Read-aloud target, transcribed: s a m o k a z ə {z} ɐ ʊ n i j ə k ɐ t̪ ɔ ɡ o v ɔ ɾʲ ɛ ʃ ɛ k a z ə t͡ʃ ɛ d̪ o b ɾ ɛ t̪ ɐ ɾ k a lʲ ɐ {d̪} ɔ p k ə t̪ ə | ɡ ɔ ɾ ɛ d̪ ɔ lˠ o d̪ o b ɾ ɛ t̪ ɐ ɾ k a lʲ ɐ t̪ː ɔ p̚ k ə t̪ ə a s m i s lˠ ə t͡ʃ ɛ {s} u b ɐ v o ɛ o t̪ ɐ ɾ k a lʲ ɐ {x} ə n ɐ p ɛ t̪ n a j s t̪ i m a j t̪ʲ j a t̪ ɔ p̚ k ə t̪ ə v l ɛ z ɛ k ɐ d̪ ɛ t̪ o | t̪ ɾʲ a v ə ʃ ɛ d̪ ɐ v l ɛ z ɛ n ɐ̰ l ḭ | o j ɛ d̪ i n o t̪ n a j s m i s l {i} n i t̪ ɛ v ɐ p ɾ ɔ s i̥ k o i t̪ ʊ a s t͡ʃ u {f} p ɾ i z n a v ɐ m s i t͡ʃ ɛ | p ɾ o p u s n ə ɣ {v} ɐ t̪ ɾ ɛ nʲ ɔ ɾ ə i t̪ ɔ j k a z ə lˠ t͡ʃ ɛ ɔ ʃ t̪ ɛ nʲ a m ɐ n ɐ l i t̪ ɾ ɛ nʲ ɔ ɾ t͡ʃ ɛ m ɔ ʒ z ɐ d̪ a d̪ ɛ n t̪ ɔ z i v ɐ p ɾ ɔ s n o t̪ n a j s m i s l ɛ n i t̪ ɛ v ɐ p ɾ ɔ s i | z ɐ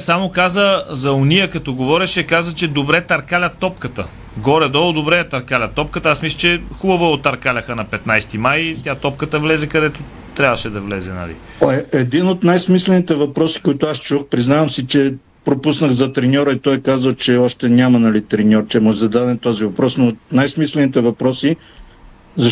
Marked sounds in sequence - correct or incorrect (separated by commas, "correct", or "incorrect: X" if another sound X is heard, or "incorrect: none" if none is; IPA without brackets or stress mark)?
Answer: correct, incorrect: t̪, incorrect: x, correct, incorrect: ɛ, incorrect: x, incorrect: z